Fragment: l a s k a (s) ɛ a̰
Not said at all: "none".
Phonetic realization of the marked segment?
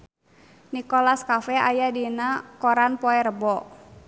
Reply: f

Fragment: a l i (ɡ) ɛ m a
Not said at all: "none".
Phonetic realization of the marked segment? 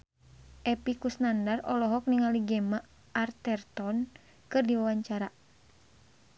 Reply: ɡ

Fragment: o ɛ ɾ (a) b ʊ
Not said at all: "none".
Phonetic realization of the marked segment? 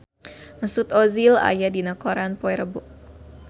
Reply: ə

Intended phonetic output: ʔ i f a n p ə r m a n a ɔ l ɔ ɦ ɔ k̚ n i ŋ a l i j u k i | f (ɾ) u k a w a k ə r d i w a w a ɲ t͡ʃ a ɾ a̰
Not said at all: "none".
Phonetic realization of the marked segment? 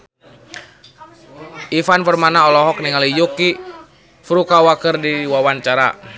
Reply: ɾ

